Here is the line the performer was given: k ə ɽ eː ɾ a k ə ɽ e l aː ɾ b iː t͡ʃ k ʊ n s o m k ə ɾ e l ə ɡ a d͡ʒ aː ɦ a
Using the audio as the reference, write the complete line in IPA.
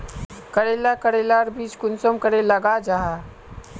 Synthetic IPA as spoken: k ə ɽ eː l a k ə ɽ e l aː ɾ b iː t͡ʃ k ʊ n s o m k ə ɾ e l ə ɡ a d͡ʒ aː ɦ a